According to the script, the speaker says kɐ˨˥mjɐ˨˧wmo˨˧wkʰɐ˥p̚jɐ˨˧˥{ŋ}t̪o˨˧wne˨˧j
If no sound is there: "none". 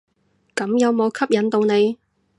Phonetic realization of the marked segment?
n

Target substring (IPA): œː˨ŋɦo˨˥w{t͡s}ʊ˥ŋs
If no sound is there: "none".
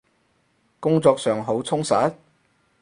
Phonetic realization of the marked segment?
t͡sʰ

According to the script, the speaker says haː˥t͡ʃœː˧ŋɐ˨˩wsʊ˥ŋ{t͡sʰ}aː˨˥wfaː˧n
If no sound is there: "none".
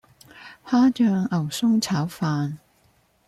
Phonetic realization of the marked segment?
t͡sʰ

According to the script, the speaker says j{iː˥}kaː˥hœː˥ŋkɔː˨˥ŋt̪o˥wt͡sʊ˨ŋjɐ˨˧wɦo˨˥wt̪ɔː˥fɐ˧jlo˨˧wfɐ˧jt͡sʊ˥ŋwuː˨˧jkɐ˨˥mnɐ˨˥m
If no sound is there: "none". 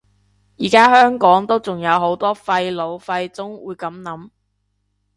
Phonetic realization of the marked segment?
iː˨˩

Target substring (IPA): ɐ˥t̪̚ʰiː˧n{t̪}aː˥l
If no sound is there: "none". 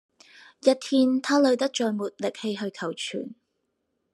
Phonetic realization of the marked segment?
t̪ʰ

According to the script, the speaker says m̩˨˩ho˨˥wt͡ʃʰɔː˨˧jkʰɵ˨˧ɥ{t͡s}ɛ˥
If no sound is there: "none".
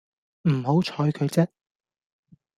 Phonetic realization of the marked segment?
t͡s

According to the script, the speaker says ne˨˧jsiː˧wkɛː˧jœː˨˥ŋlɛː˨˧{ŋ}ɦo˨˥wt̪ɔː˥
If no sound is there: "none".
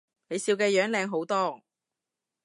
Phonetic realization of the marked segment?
ŋ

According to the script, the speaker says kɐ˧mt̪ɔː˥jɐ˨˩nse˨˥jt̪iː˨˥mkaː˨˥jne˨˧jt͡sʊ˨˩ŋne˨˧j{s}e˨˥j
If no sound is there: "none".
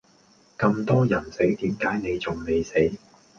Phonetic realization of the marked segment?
s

